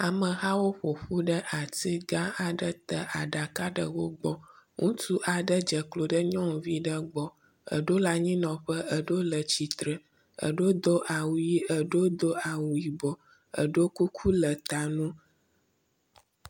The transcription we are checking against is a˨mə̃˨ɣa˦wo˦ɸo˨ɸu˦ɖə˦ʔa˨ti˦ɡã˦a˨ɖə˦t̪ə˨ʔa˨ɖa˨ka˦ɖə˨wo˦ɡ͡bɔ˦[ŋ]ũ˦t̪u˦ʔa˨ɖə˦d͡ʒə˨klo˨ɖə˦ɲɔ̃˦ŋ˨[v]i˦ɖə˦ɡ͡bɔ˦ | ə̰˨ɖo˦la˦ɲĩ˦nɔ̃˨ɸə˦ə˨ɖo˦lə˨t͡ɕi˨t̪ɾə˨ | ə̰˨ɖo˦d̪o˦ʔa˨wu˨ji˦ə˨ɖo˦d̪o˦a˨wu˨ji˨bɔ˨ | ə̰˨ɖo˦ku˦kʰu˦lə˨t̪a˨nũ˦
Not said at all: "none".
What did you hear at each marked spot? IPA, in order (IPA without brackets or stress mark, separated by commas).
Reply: ŋ, v